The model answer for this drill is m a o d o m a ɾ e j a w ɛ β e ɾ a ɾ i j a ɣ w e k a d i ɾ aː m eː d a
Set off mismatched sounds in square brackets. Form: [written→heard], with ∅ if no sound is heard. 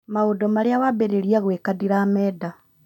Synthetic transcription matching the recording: m a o d o m a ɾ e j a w [ɛ→a] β e ɾ [a→e] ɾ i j a ɣ w e k a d i ɾ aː m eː d a